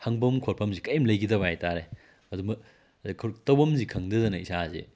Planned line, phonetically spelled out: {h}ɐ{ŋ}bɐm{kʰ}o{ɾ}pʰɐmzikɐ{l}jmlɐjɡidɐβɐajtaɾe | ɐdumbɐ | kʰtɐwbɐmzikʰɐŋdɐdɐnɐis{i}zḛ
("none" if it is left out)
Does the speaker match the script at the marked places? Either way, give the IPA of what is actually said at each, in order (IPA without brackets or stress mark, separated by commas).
h, ŋ, kʰ, ɾ, none, a